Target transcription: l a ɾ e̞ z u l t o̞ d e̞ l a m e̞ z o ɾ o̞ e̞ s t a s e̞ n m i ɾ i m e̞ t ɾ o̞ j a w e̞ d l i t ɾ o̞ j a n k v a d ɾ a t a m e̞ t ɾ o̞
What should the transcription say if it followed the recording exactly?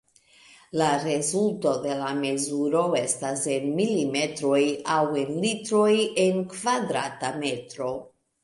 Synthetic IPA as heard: l a ɾ e̞ z u l t o̞ d e̞ l a m e̞ z u ɾ o̞ e̞ s t a s e̞ n m i l i m e̞ t ɾ o̞ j a w e̞ n l i t ɾ o̞ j e n k v a d ɾ a t a m e̞ t ɾ o̞

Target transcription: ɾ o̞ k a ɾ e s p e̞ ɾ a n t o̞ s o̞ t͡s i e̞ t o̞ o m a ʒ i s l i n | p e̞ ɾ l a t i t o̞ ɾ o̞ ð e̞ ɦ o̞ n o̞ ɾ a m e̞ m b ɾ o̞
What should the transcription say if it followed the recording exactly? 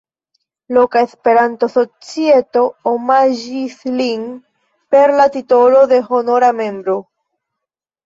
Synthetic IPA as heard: l o̞ k a e s p e̞ ɾ a n t o̞ s o̞ t͡s i e̞ t o̞ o m a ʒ i s l i n | p e̞ ɾ l a t i t o̞ l o̞ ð e̞ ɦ o̞ n o̞ ɾ a m e̞ m b ɾ o̞

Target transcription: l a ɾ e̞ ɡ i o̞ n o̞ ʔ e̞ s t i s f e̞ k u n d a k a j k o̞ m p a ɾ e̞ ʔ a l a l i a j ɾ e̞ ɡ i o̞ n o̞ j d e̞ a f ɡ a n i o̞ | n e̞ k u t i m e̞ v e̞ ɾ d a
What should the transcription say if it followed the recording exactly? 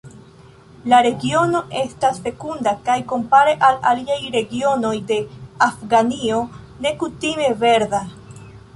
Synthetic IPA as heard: l a ɾ e̞ ɡ i o̞ n o̞ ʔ e̞ s t a s f e̞ k u n d a k a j k o̞ m p a ɾ e̞ ʔ a l a l i a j ɾ e̞ ɡ i o̞ n o̞ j d e̞ a f ɡ a n i o̞ | n e̞ k u t i m e̞ v e̞ ɾ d a

